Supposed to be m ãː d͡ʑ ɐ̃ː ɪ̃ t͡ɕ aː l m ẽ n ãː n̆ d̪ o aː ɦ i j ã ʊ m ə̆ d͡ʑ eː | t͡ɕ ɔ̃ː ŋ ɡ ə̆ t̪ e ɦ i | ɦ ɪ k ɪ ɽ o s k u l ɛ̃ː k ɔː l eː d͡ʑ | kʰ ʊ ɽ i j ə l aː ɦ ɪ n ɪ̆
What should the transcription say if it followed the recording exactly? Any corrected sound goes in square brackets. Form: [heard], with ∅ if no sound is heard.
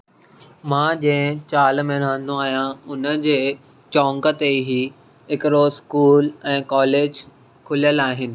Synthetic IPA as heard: m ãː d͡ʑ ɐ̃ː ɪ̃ t͡ɕ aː l m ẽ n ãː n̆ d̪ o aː ɦ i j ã ʊ [n] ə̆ d͡ʑ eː | t͡ɕ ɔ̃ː ŋ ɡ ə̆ t̪ e ɦ i | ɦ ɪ k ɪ [ɾ] o s k [uː] l ɛ̃ː k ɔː l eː d͡ʑ | kʰ ʊ [l] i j ə l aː ɦ ɪ n ɪ̆